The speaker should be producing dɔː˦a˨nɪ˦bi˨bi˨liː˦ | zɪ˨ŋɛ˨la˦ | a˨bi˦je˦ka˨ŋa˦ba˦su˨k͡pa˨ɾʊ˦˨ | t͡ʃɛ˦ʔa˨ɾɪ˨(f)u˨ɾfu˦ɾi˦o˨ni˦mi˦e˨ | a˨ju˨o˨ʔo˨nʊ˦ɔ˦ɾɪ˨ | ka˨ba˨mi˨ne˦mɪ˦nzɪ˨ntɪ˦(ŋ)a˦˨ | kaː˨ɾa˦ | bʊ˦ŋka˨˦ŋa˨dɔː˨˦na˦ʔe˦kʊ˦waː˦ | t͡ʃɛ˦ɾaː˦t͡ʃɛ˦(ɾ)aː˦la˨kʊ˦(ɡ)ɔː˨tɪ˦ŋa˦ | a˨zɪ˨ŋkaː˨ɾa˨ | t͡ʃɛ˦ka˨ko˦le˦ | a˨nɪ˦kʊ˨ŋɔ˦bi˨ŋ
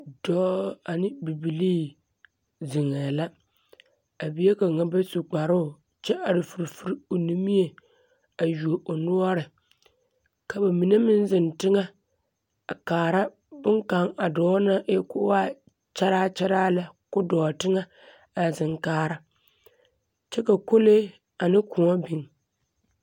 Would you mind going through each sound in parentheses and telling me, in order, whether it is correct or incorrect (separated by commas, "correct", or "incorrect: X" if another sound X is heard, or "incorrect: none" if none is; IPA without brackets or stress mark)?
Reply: correct, correct, correct, incorrect: d